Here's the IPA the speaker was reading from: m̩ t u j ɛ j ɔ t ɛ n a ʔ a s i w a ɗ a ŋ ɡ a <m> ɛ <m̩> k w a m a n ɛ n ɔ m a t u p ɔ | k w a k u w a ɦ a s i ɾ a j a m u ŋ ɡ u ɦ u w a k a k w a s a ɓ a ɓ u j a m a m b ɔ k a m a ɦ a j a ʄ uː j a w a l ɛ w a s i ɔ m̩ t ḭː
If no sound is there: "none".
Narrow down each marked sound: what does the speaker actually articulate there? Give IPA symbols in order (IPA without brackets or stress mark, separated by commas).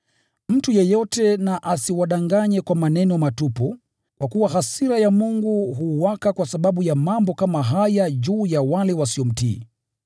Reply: ɲ, none